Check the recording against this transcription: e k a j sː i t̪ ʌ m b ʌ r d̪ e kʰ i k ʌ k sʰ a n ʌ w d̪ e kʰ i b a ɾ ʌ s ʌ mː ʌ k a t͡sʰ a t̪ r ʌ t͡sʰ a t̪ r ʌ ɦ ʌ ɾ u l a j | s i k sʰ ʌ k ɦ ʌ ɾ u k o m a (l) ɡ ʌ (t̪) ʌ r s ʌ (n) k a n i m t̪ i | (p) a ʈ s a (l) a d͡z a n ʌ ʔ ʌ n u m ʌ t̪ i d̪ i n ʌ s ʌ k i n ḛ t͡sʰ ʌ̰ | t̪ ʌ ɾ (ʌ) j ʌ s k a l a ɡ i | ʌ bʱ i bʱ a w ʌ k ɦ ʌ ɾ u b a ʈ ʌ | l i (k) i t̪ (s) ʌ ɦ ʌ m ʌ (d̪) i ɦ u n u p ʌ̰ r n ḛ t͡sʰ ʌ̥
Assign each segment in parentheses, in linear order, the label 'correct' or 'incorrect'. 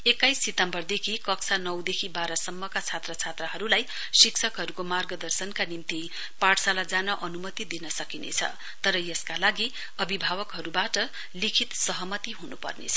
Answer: incorrect, incorrect, correct, correct, correct, correct, incorrect, correct, incorrect

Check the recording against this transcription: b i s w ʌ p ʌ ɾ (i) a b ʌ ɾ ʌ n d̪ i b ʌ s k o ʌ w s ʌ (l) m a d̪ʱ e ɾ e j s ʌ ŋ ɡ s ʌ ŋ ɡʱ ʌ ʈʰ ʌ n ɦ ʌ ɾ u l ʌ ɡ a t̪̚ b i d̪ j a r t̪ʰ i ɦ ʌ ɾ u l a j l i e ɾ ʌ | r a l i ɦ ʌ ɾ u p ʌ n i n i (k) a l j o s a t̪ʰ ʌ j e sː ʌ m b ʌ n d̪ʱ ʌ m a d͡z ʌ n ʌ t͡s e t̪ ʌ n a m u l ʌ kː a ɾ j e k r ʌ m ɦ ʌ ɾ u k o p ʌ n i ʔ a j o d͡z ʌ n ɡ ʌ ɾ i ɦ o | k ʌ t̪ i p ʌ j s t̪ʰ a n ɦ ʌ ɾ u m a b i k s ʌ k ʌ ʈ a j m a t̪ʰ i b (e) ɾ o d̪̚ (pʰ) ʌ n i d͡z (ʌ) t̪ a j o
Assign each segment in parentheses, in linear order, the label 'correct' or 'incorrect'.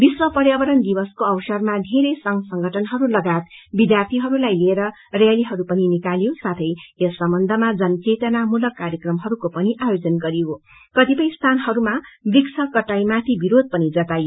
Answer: incorrect, incorrect, correct, incorrect, incorrect, correct

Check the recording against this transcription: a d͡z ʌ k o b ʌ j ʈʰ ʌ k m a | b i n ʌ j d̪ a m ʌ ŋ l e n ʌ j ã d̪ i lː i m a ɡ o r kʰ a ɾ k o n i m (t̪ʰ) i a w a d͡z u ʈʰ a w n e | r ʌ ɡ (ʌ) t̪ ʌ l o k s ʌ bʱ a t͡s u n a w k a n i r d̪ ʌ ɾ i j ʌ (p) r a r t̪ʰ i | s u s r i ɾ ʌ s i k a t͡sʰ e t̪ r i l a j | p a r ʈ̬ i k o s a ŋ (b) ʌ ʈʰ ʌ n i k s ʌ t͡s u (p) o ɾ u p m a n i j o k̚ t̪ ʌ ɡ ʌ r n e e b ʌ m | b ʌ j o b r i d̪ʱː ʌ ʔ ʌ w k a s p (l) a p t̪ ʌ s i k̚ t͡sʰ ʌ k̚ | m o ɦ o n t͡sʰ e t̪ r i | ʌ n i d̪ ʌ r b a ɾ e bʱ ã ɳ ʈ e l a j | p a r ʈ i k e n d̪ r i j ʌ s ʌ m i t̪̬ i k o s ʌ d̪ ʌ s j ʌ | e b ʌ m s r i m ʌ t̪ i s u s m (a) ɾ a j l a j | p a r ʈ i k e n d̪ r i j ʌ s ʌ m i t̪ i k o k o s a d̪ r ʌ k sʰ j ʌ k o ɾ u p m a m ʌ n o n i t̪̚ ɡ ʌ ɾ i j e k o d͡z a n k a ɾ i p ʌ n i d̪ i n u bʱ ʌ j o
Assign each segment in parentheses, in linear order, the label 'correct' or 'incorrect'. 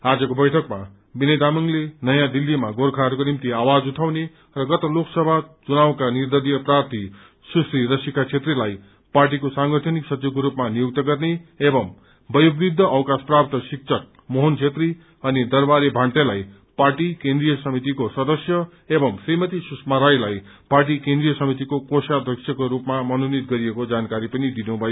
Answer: incorrect, correct, correct, incorrect, incorrect, incorrect, correct

